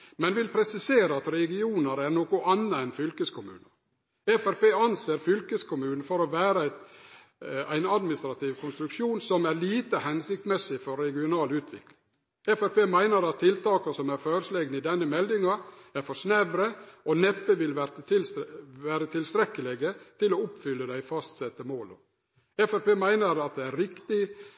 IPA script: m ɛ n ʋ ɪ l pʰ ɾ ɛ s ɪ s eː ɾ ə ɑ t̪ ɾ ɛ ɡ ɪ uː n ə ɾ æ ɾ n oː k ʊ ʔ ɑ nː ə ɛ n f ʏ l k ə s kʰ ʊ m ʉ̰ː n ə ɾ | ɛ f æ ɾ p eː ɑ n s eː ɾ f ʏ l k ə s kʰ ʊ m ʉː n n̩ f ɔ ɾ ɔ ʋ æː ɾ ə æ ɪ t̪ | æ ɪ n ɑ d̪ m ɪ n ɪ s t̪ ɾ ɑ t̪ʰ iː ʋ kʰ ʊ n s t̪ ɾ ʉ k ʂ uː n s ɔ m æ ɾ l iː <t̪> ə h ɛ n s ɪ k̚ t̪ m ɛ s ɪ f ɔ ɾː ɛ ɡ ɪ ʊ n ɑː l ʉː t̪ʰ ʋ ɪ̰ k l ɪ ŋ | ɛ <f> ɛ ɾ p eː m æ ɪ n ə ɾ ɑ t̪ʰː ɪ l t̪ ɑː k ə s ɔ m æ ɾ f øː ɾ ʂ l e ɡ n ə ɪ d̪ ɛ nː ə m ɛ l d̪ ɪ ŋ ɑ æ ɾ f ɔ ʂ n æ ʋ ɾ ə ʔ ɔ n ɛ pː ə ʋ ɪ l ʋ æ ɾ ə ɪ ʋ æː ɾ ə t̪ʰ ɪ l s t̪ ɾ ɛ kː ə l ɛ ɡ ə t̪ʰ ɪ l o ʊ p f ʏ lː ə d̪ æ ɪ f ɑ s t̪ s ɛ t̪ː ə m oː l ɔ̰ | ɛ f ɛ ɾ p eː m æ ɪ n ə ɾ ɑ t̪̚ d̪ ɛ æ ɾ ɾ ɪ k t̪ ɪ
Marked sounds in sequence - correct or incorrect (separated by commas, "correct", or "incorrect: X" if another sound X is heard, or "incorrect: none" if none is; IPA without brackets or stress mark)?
correct, correct